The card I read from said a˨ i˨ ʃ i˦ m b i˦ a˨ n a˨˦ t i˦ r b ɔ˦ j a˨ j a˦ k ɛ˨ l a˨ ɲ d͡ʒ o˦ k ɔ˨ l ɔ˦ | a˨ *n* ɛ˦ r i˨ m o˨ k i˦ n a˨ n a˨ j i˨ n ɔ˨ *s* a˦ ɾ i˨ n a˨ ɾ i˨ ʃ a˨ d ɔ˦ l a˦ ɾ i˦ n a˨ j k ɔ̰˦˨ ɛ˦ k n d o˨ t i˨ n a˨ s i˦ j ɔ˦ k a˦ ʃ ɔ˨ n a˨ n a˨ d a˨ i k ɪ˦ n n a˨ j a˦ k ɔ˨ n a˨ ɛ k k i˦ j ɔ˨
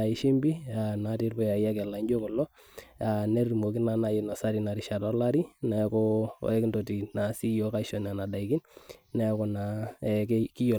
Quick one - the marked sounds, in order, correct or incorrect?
correct, correct

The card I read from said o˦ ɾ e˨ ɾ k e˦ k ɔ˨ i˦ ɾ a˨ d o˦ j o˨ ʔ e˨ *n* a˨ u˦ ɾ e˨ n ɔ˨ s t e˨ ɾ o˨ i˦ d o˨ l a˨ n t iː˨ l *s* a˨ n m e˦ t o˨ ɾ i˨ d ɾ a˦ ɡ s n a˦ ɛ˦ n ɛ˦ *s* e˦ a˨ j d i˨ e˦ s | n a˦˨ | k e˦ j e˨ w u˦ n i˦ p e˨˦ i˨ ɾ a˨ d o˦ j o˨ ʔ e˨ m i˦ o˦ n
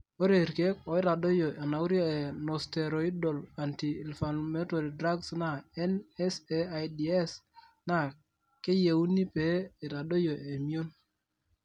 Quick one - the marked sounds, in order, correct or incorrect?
correct, incorrect, correct

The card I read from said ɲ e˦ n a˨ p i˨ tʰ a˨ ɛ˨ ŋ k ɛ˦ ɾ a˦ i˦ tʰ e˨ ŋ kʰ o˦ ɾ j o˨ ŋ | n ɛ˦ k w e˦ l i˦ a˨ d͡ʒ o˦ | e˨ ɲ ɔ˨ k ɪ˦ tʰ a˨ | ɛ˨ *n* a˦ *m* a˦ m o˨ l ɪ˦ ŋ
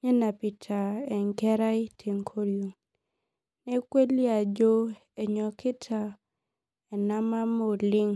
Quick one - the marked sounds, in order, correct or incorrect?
correct, correct

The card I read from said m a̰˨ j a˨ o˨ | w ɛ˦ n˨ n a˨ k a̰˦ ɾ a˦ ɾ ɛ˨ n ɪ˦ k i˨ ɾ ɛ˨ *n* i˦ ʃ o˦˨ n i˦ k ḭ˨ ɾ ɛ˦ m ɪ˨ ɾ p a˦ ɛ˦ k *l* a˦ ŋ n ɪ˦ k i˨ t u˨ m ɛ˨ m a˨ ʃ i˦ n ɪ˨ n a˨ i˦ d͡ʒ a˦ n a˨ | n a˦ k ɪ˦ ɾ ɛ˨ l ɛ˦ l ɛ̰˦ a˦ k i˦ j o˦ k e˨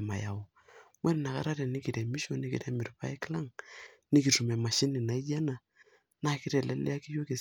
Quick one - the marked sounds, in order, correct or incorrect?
incorrect, correct

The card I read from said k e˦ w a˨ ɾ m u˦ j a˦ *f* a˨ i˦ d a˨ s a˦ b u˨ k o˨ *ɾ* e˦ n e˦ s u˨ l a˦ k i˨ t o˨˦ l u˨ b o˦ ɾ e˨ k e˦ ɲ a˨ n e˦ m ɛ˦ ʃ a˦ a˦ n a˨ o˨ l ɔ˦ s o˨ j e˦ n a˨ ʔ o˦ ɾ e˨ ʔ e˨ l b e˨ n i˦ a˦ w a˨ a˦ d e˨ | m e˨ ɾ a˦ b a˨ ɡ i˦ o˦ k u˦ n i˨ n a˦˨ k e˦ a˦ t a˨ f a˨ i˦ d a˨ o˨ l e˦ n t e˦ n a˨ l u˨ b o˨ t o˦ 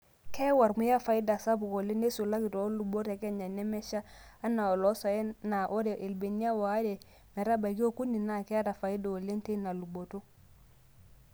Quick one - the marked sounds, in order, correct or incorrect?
correct, incorrect

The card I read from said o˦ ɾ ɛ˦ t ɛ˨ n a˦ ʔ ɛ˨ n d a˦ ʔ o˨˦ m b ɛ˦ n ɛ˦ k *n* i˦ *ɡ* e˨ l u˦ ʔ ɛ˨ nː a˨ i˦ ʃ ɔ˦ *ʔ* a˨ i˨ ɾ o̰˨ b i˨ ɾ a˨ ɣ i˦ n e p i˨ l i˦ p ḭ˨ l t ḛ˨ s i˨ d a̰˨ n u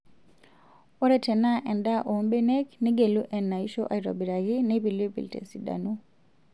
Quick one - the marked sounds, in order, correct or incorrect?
correct, correct, correct

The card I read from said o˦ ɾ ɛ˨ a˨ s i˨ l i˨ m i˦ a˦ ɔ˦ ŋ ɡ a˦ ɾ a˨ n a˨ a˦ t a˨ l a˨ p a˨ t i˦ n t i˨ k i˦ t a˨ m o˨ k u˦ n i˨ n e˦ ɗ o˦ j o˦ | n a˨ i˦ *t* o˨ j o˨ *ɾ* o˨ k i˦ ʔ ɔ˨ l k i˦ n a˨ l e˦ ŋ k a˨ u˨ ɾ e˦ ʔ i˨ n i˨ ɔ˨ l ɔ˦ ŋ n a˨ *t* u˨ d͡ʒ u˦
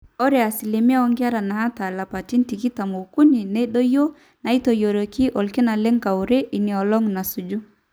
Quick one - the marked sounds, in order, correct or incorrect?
correct, correct, incorrect

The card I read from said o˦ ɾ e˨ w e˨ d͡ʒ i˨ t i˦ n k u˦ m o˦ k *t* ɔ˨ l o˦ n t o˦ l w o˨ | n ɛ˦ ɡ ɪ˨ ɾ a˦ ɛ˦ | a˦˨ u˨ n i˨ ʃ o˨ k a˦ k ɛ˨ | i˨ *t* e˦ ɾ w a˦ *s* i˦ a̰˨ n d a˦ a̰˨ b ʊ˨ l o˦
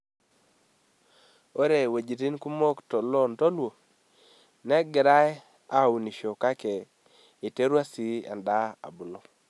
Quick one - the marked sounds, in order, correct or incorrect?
correct, correct, correct

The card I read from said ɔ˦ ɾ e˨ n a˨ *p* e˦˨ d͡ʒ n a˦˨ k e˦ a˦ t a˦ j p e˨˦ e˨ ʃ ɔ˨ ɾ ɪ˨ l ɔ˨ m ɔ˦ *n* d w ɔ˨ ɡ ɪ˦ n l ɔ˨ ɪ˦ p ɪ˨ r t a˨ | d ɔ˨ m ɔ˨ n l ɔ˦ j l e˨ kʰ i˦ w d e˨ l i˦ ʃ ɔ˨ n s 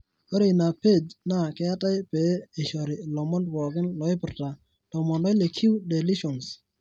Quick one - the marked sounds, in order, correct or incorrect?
correct, correct

